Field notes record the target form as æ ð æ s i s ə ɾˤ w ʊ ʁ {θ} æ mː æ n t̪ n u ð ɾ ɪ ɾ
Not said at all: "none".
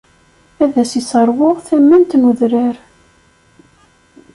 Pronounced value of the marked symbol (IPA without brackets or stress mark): θ